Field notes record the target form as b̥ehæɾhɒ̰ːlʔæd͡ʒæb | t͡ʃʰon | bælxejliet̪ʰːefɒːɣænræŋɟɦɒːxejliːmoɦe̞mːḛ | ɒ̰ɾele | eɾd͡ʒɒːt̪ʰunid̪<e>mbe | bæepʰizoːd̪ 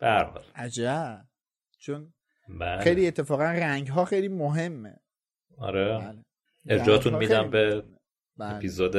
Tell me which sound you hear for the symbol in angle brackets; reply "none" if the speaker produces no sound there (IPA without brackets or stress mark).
æ